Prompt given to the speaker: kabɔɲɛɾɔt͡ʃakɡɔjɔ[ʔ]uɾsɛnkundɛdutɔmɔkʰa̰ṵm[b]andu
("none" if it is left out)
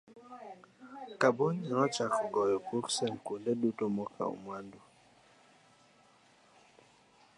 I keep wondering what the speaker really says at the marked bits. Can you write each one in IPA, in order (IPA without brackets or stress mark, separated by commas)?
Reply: k, w